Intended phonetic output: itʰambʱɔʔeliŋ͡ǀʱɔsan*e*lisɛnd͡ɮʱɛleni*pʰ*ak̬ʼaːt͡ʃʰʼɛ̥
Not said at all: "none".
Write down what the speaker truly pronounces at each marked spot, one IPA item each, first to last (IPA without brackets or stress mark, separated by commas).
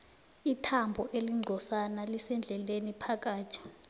a, pʰ